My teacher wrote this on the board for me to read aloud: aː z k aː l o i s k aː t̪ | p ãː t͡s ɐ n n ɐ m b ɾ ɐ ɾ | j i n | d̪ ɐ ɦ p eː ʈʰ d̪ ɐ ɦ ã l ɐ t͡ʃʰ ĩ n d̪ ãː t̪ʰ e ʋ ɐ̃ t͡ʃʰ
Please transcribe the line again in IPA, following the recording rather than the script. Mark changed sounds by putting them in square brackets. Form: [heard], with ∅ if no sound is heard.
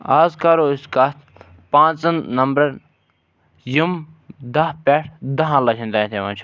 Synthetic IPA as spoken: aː z k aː [ɾ] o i s k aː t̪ | p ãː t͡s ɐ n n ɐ m b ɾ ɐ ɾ | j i [m] | d̪ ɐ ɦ p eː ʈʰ d̪ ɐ ɦ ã l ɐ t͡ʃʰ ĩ n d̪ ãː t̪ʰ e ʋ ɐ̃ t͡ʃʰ